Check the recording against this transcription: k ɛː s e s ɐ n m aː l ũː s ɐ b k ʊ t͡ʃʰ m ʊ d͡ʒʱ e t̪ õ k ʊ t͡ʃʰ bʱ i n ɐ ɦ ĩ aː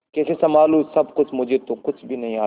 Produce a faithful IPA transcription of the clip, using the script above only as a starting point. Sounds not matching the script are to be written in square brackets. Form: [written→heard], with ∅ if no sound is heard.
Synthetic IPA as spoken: k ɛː s e s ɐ [n→∅] m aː l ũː s ɐ b k ʊ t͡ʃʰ m ʊ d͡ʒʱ e t̪ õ k ʊ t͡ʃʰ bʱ i n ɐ ɦ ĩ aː